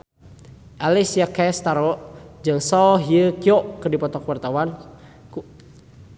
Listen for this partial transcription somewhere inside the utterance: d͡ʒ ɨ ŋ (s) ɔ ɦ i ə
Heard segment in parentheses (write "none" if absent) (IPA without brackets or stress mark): s